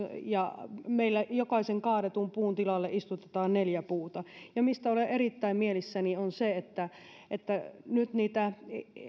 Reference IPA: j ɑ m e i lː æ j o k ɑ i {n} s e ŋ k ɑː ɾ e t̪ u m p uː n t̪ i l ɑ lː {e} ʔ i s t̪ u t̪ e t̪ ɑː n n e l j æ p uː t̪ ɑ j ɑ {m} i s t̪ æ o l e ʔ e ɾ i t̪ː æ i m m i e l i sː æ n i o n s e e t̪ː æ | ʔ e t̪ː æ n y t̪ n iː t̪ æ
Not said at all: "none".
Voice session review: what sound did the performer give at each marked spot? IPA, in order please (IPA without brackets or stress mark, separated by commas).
none, e, m